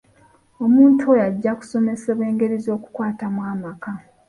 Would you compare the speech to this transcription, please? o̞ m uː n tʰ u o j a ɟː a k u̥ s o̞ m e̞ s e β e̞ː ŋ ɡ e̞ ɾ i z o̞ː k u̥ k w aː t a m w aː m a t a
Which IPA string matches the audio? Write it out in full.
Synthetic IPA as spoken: o̞ m uː n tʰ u o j a ɟː a k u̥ s o̞ m e̞ s e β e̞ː ŋ ɡ e̞ ɾ i z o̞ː k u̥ k w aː t a m w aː m a k a

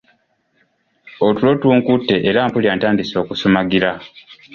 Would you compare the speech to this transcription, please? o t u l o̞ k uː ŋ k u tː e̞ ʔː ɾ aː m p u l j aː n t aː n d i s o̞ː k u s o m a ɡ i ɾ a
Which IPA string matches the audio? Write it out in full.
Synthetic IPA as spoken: o t u l o̞ t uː ŋ k u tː e̞ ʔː ɾ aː m p u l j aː n t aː n d i s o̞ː k u s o m a ɡ i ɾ a

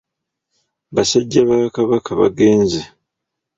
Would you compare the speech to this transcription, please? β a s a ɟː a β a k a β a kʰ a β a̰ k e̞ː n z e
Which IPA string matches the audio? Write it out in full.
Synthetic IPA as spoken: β a s a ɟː a β a k a β a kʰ a β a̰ ɡ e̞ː n z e

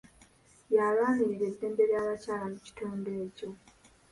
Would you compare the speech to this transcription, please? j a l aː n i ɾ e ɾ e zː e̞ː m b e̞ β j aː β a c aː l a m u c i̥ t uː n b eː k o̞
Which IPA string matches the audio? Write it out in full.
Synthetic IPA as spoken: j a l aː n i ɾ i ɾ e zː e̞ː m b e̞ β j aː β a c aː l a m u c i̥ t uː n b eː c o̞

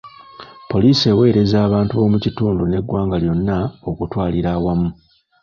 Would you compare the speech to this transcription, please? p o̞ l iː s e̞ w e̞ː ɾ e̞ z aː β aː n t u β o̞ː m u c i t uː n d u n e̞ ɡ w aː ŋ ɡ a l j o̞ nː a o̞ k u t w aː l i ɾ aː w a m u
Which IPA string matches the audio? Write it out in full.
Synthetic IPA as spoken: p o̞ l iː s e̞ w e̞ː ɾ e̞ z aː β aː n t u β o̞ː m u c i t uː n d u n e̞ ɡ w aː ŋ ɡ a l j o̞ nː a o̞ k u t w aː l i ɾ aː w a m u

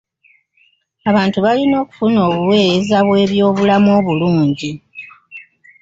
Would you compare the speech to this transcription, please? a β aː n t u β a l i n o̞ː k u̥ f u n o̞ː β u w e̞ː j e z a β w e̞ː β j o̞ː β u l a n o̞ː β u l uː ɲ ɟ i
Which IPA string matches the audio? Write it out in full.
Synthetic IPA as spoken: a β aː n t u β a l i n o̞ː k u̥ f u n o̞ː β u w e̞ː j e z a β w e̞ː β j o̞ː β u l a m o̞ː β u l uː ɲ ɟ i

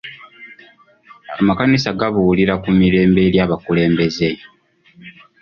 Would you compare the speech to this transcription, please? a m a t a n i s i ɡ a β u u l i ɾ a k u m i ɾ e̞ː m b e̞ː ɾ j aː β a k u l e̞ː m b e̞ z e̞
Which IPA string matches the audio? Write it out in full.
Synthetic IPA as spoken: a m a k a n i s a ɡ a β u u l i ɾ a k u m i ɾ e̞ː m b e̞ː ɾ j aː β a k u l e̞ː m b e̞ z e̞

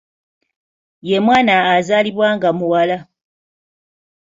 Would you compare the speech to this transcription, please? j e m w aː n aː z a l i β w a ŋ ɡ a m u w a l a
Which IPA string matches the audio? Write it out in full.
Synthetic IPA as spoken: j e m w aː n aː z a l i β w a ŋ ɡ a m u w a l a

